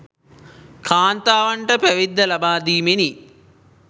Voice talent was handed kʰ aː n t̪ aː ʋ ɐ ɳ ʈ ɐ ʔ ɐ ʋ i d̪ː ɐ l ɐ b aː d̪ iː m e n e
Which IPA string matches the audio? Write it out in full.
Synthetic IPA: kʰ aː n t̪ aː ʋ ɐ ɳ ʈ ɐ p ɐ ʋ i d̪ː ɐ l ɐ b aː d̪ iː m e n i